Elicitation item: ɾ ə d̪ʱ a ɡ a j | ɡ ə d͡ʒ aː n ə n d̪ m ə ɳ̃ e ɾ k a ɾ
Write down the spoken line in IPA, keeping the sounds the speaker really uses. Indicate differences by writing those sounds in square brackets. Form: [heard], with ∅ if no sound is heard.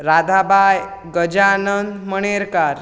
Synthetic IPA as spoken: ɾ [a] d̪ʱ a [b] a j | ɡ ə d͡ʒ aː n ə n d̪ m ə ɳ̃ e ɾ k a ɾ